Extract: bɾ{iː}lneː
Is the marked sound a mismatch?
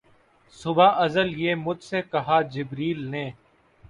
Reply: no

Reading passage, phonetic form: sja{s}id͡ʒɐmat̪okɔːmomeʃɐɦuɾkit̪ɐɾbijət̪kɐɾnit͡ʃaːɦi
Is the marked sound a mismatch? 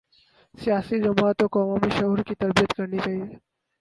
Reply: no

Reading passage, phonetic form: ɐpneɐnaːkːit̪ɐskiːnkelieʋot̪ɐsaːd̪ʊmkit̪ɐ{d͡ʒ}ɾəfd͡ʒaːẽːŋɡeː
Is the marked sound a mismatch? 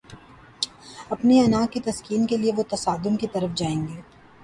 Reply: yes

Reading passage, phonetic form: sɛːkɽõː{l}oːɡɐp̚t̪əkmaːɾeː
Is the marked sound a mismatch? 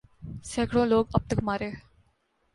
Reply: no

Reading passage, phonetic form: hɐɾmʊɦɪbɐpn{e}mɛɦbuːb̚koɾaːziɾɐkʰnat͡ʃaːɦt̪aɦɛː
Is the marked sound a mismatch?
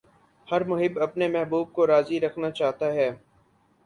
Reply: no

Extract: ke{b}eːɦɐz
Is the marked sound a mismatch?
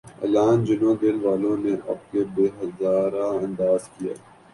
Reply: no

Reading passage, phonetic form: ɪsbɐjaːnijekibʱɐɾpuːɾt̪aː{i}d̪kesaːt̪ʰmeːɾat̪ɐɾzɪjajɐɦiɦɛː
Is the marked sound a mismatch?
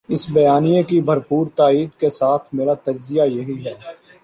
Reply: yes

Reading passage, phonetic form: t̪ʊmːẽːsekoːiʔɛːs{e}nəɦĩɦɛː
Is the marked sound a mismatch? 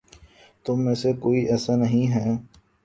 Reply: yes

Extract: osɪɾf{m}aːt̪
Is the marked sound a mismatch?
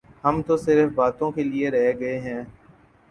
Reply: yes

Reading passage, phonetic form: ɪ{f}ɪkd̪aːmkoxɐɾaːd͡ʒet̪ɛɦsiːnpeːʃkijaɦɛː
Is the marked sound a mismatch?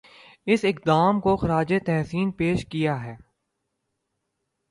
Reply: yes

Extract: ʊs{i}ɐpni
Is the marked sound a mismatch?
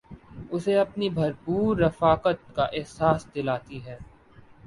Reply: yes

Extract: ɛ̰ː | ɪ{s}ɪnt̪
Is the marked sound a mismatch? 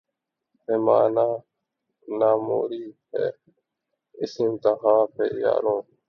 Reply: no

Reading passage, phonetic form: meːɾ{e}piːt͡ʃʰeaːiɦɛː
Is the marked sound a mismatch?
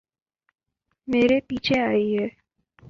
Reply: no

